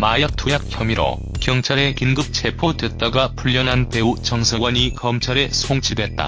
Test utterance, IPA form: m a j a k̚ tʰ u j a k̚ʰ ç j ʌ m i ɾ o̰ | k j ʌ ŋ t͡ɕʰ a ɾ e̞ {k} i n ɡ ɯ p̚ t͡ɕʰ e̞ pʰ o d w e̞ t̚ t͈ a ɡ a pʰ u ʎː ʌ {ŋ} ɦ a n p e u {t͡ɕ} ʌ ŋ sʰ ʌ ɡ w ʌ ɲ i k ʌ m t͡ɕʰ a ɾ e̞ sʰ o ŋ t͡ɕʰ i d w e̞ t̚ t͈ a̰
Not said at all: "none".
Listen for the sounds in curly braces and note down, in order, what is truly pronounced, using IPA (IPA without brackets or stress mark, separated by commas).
k, n, t͡ɕ